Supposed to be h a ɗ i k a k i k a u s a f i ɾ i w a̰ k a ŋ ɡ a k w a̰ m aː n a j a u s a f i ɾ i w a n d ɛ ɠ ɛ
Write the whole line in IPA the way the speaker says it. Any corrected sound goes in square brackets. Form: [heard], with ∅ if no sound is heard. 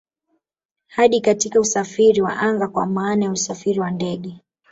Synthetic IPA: h a ɗ i k a [t] i k a u s a f i ɾ i w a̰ [ʔ] a ŋ ɡ a k w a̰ m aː n a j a u s a f i ɾ i w a n d ɛ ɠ ɛ